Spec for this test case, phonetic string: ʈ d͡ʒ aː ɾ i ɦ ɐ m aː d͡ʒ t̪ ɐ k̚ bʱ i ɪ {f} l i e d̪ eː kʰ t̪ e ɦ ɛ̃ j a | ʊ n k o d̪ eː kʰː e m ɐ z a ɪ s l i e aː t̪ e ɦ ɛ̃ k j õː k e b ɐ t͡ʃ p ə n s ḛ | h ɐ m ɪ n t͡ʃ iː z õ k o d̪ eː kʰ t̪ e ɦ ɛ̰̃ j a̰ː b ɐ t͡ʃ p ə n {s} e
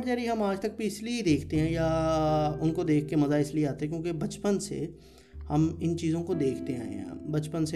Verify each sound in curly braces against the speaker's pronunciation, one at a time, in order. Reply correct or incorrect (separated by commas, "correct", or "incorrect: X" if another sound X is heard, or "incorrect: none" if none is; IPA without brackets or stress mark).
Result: incorrect: s, correct